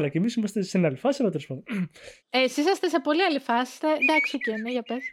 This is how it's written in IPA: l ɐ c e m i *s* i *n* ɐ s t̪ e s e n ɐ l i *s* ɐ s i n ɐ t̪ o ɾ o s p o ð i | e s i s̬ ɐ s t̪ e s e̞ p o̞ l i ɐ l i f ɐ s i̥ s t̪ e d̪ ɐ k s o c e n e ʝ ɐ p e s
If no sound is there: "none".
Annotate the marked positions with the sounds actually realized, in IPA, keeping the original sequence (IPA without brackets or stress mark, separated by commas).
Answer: s, m, f